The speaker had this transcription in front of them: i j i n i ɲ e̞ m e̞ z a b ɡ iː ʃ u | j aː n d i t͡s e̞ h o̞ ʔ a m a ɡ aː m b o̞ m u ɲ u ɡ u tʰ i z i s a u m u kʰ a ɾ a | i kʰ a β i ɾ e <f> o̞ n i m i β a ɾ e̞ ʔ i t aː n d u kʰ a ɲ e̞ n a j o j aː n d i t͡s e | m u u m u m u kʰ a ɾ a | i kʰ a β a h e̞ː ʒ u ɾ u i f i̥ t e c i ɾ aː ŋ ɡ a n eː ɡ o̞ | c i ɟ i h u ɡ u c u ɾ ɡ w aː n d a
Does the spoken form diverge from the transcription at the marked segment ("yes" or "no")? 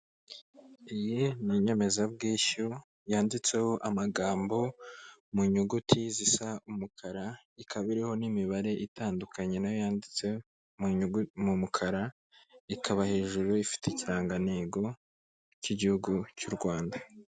yes